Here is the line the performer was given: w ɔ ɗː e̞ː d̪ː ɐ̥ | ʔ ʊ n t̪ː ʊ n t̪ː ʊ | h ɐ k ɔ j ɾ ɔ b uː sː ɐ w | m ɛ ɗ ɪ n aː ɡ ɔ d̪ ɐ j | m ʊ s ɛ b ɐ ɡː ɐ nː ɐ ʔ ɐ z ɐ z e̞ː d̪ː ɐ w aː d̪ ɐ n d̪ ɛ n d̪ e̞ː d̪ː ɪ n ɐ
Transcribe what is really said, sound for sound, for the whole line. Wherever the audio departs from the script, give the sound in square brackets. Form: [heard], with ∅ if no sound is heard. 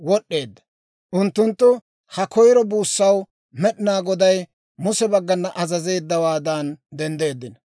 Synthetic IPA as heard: w ɔ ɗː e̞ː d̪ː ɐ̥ | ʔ ʊ n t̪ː ʊ n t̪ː ʊ | h ɐ k ɔ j ɾ ɔ b uː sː ɐ w | m ɛ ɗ ɪ n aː ɡ ɔ d̪ ɐ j | m ʊ s ɛ b ɐ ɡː ɐ nː ɐ ʔ ɐ z ɐ z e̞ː d̪ː ɐ w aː d̪ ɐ n d̪ ɛ n d̪ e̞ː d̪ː ɪ n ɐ